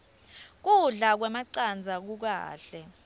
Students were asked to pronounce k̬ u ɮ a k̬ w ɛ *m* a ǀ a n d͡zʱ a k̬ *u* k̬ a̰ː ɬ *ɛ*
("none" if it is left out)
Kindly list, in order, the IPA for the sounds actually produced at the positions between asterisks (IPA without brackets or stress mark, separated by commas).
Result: m, u, ɛ